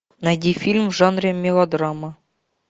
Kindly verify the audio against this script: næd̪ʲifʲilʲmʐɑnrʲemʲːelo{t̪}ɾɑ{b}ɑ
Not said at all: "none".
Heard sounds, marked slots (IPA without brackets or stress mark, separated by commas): d̪, m